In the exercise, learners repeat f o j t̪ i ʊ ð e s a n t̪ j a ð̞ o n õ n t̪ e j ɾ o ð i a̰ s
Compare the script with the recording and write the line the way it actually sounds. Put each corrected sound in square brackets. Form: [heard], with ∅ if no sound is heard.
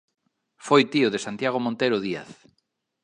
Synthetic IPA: f o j t̪ i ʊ ð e s a n t̪ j a [ɣ̞] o [m] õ n t̪ e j ɾ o ð i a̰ [θ]

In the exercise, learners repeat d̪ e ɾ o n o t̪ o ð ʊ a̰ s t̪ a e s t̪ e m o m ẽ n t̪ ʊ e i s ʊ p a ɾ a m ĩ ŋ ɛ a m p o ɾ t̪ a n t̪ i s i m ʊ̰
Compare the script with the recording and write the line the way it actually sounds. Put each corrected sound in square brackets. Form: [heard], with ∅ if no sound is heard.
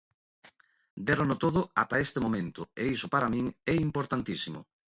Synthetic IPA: d̪ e ɾ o n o t̪ o ð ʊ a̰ [∅] t̪ a e s t̪ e m o m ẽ n t̪ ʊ e i s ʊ p a ɾ a m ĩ ŋ ɛ [i] m p o ɾ t̪ a n t̪ i s i m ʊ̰

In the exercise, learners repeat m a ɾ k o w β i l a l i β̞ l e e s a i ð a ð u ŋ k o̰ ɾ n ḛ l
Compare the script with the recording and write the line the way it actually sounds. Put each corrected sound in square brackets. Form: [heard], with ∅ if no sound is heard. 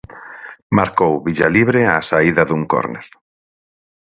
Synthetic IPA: m a ɾ k o w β i [ʎ] a l i β̞ [ɾ] e [a] s a i ð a ð u ŋ k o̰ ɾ n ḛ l

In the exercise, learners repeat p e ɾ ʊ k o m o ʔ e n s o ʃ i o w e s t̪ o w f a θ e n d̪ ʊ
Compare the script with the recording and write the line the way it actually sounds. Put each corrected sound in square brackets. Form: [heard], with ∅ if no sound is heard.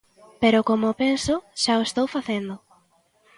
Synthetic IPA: p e ɾ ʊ k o m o [p] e n s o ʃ [a] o [∅] e s t̪ o w f a θ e n d̪ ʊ

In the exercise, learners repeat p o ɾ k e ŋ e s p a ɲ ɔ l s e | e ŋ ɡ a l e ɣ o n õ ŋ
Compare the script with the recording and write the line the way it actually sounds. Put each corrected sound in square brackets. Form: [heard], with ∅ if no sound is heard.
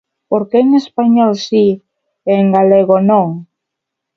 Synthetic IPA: p o ɾ k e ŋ e s p a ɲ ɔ l s [i] | e ŋ ɡ a l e ɣ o n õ ŋ

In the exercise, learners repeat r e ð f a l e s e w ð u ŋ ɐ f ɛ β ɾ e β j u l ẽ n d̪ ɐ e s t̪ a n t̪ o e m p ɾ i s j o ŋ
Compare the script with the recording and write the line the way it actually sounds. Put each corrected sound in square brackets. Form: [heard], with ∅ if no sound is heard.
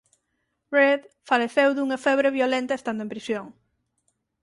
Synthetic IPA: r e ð f a l e [θ] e w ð u ŋ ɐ f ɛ β ɾ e β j [o] l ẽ n [t̪] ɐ e s t̪ a n [d̪] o e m p ɾ i s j o ŋ

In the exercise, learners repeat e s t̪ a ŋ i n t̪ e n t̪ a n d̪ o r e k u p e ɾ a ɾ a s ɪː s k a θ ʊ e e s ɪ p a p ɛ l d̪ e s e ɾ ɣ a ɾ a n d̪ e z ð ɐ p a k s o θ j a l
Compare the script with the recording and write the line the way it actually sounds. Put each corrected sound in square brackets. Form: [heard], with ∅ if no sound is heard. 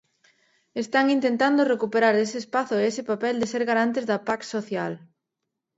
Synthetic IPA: e s t̪ a ŋ i n t̪ e n t̪ a n d̪ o r e k u p e ɾ a ɾ [e] s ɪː s [p] a θ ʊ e e s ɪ p a p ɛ l d̪ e s e ɾ ɣ a ɾ a n [t̪] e z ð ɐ p a k s o θ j a l

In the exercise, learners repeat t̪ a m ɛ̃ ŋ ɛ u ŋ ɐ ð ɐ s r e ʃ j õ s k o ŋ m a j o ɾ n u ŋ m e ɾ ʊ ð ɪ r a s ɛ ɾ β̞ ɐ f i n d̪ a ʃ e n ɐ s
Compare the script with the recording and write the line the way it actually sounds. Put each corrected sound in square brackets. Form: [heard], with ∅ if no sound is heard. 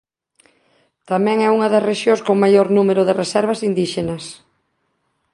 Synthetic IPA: t̪ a m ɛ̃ ŋ ɛ u ŋ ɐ ð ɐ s r e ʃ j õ s k o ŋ m a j o ɾ n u [∅] m e ɾ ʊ ð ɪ r [e] s ɛ ɾ β̞ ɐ [s] i n d̪ [i] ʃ e n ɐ s

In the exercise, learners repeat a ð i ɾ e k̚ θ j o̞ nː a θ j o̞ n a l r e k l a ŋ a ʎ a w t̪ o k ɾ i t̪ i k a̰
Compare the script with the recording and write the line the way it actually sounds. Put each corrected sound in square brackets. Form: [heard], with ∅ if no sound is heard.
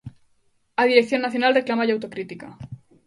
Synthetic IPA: a ð i ɾ e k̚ θ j o̞ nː a θ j o̞ n a l r e k l a [m] a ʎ a w t̪ o k ɾ i t̪ i k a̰

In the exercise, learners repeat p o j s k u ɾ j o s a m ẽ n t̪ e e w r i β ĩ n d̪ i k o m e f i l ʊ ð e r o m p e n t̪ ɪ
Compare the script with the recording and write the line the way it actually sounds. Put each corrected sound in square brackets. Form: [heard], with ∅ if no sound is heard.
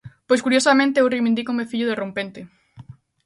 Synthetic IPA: p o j s k u ɾ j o s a m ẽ n t̪ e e w r i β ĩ n d̪ i k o m e f i [ʎ] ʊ ð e r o m p e n t̪ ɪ

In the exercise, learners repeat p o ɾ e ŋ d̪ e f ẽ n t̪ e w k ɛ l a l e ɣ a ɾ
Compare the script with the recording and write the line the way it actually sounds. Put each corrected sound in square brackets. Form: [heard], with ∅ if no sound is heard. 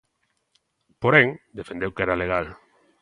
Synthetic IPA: p o ɾ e ŋ d̪ e f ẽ n [d̪] e w k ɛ [ɾ] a l e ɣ a [l]

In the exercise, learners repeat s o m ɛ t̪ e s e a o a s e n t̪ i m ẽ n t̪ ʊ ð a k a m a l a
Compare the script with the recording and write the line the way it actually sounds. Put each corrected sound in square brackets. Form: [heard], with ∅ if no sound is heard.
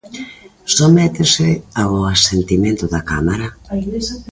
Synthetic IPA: s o m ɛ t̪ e s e a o a s e n t̪ i m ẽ n t̪ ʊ ð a k a m a [ɾ] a

